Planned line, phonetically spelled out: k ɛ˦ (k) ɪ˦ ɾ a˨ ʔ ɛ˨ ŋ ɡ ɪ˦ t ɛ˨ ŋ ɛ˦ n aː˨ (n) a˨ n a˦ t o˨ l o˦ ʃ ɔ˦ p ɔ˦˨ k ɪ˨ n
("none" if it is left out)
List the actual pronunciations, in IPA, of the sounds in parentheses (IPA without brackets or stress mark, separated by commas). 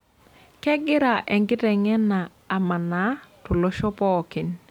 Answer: ɡ, m